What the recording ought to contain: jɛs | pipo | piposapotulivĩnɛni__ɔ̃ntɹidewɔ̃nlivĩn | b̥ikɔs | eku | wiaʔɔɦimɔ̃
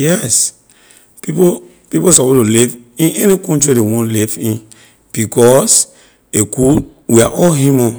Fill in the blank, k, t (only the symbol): k